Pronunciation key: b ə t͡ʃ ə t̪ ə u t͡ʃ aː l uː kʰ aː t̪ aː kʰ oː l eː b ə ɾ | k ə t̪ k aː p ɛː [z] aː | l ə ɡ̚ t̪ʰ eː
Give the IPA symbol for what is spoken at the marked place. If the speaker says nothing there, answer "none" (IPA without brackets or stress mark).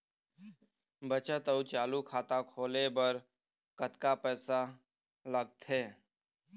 s